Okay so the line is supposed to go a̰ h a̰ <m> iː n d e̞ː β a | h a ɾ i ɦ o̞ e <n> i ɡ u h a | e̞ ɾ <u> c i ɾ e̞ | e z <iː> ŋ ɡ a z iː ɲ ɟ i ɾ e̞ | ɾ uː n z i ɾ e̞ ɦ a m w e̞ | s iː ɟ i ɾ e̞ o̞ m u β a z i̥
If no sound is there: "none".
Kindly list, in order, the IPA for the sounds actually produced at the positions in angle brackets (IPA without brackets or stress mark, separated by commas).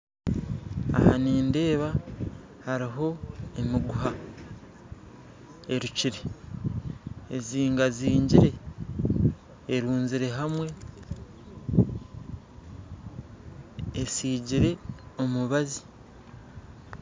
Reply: n, m, u, iː